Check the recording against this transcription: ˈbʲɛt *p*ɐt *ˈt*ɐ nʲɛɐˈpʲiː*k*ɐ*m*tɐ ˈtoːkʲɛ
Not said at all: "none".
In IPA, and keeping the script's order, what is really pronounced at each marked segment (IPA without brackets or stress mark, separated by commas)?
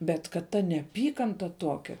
k, t, k, n